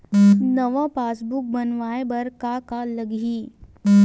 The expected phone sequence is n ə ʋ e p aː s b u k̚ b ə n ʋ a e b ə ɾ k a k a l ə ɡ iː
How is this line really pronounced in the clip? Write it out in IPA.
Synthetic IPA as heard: n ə ʋ a p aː s b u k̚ b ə n ʋ a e b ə ɾ k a k a l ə ɡ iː